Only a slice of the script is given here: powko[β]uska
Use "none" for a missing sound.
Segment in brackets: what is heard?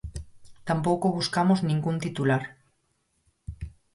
β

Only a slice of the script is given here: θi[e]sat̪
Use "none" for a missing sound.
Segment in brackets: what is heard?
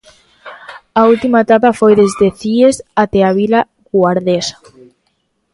e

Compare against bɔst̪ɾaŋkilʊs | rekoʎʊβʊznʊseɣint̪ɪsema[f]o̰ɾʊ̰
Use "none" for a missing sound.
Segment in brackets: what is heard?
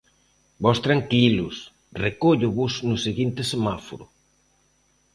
f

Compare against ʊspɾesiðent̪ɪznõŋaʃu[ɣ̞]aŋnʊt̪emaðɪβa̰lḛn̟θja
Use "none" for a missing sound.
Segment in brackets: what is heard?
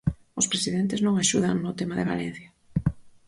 ð̞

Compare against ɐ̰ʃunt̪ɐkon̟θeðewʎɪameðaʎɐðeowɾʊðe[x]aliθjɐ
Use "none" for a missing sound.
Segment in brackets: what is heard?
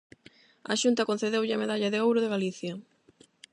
ɣ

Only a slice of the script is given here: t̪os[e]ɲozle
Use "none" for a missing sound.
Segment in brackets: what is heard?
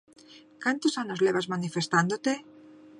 a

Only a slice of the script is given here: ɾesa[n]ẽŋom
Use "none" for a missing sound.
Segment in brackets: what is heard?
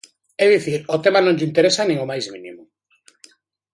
n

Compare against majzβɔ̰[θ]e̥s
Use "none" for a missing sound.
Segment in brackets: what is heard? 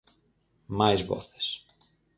θ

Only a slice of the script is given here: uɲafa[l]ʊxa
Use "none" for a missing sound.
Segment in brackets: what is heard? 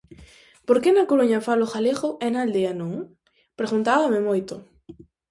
l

